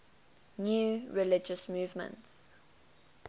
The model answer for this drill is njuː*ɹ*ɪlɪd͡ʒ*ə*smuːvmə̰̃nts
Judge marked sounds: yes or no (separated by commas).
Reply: yes, yes